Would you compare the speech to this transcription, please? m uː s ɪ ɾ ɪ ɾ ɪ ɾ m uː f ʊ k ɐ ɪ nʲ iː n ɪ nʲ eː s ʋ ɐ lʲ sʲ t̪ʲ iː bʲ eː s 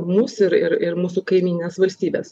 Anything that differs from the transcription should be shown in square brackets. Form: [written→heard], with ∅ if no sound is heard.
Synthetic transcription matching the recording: m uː s ɪ ɾ ɪ ɾ ɪ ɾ m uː [f→s] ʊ k ɐ ɪ [nʲ→mʲ] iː n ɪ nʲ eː s ʋ ɐ lʲ sʲ t̪ʲ iː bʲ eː s